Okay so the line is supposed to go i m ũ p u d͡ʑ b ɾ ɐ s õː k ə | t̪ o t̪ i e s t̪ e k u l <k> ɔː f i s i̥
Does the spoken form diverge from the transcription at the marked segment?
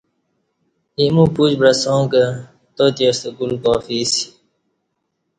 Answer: no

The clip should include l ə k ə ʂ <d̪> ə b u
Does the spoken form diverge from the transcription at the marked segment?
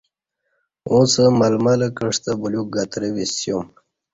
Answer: yes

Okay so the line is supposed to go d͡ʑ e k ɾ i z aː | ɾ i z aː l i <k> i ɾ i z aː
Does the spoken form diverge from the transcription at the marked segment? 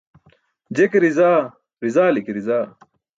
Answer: no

